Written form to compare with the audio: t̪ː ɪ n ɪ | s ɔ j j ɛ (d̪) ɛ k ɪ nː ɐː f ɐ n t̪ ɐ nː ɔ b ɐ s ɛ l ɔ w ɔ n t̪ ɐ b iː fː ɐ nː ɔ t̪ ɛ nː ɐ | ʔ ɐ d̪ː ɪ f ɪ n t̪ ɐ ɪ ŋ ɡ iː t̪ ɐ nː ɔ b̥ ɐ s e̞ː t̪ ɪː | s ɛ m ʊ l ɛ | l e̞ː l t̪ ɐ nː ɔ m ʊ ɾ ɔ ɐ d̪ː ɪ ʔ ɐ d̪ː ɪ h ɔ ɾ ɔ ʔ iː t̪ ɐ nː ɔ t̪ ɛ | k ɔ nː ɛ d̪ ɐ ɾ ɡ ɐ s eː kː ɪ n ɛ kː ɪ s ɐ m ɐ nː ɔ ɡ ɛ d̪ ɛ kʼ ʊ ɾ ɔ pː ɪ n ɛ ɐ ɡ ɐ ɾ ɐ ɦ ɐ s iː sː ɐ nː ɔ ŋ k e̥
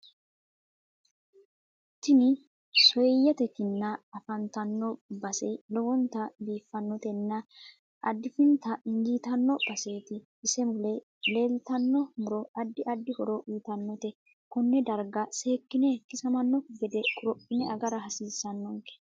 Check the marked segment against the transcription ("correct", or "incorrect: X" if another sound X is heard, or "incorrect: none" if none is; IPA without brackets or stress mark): incorrect: t̪